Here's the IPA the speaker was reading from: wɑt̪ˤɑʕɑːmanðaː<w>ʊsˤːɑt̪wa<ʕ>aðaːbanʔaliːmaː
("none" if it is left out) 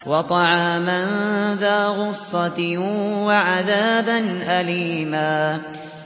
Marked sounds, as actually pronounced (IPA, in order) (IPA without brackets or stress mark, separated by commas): ɣ, ʕ